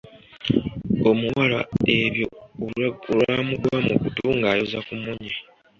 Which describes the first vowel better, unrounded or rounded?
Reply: rounded